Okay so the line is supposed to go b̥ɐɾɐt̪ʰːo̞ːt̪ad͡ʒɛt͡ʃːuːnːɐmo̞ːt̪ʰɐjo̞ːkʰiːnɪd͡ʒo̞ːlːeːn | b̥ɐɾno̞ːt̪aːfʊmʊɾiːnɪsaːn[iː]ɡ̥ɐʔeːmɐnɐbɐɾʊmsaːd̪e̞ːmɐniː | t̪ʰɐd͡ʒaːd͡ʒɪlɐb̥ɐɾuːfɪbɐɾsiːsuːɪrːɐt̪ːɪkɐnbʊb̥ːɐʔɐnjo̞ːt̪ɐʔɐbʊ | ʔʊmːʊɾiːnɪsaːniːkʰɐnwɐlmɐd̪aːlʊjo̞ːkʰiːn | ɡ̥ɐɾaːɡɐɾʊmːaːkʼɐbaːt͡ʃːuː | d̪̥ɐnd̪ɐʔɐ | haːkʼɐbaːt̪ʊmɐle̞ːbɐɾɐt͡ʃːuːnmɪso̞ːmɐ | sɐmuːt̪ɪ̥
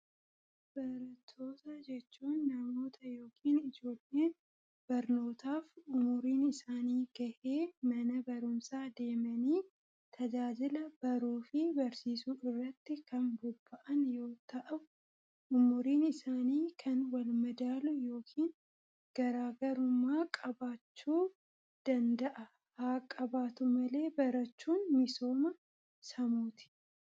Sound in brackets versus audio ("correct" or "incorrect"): correct